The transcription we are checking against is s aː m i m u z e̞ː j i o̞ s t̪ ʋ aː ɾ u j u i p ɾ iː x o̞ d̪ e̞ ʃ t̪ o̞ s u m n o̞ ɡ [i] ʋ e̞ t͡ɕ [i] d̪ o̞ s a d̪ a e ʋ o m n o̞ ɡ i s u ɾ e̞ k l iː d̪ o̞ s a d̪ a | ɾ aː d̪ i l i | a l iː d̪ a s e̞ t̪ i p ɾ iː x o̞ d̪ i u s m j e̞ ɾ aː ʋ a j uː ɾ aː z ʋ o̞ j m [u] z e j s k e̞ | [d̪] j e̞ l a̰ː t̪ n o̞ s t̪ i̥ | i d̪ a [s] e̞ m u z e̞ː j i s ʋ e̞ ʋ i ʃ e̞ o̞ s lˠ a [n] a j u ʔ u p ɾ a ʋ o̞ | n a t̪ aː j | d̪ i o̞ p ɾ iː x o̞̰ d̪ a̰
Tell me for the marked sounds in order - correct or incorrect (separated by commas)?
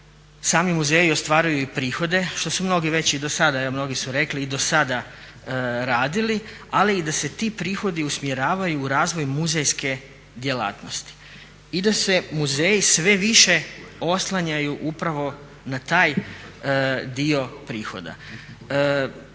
correct, correct, correct, correct, correct, incorrect